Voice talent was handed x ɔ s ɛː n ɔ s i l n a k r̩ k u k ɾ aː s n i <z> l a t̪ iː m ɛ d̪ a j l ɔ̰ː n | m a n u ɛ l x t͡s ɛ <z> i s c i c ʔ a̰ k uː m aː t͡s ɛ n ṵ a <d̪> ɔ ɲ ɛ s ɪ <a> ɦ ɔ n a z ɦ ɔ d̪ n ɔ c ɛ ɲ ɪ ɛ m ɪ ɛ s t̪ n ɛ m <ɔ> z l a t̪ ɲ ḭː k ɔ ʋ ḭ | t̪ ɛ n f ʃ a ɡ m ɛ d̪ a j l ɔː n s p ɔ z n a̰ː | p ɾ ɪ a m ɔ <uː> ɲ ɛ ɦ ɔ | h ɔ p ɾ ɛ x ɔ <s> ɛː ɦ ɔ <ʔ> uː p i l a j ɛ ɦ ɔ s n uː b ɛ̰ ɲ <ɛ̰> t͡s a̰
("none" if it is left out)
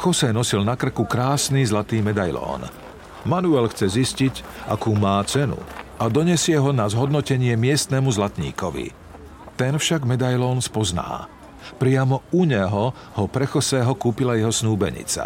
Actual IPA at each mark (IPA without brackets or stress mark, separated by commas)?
z, z, d̪, ɛ, u, u, s, k, ḭ